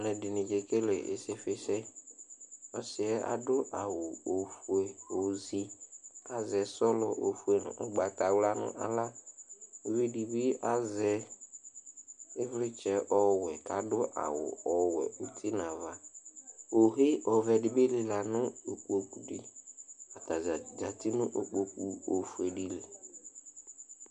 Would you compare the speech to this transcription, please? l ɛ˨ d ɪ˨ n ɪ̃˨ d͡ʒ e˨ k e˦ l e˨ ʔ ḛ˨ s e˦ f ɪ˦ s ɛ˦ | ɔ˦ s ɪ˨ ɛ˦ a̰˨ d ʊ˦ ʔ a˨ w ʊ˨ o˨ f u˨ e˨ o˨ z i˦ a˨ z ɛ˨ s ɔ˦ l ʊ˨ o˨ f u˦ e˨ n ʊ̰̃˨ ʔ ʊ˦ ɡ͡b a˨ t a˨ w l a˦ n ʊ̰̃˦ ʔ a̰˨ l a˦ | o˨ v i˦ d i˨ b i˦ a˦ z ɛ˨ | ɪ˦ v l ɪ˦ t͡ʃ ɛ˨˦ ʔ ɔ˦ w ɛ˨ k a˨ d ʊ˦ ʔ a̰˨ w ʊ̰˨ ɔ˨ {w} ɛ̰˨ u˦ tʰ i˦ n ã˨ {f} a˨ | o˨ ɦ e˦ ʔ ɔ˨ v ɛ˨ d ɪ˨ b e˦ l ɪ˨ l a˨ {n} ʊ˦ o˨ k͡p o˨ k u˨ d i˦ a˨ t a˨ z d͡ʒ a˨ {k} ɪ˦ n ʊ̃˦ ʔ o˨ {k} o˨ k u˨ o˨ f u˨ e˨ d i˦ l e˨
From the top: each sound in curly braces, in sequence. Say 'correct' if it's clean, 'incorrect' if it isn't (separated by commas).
correct, incorrect, correct, incorrect, incorrect